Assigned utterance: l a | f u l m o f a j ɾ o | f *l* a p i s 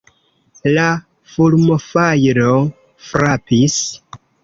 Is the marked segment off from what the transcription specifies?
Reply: yes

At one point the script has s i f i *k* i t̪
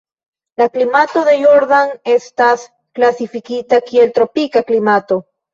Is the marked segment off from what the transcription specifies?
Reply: no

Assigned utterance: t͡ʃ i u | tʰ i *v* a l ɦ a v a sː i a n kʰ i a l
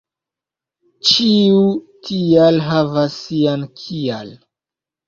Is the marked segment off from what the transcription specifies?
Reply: yes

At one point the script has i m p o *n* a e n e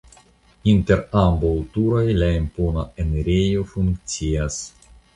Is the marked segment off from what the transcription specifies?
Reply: no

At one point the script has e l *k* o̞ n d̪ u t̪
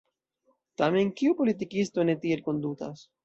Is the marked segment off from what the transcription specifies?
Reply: no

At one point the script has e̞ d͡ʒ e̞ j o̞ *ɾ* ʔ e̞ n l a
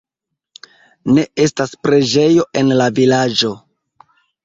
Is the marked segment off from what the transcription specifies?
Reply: yes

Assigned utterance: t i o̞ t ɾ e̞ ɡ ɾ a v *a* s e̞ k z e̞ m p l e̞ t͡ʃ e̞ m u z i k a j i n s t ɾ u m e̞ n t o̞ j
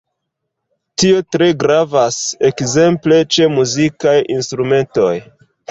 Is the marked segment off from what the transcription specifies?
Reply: no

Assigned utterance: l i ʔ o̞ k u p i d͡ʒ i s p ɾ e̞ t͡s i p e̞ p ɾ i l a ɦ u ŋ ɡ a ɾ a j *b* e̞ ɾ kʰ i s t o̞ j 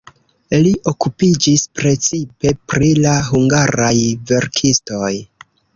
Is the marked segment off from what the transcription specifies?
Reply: yes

